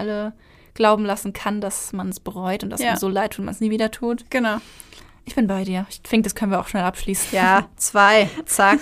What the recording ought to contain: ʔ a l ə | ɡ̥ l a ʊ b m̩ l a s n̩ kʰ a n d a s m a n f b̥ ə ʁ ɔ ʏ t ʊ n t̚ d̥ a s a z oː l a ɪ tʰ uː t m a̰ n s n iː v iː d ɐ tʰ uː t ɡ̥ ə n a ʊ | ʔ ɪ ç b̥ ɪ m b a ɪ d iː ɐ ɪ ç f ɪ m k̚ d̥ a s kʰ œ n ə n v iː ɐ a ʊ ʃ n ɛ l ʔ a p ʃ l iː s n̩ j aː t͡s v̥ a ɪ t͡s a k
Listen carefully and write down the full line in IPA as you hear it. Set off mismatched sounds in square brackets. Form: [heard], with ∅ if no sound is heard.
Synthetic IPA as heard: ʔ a l ə | ɡ̥ l a ʊ b m̩ l a s n̩ kʰ a n d a s m a n [s] b̥ ə ʁ ɔ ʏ t ʊ n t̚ d̥ a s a z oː l a ɪ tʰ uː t m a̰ n s n iː v iː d ɐ tʰ uː t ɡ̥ ə n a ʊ | ʔ ɪ ç b̥ ɪ [n] b a ɪ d iː ɐ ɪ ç f ɪ [ŋ] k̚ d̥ a s kʰ œ n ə n v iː ɐ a ʊ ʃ n ɛ l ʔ a p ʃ l iː s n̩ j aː t͡s v̥ a ɪ t͡s a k